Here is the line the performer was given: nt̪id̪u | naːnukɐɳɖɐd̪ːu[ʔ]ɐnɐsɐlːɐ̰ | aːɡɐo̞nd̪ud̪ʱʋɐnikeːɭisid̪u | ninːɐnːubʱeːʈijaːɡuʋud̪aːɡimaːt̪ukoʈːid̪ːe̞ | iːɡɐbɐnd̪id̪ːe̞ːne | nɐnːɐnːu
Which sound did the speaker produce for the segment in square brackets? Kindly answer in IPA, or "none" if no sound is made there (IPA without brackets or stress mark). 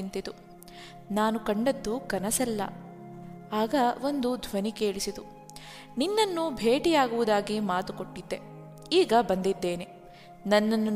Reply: k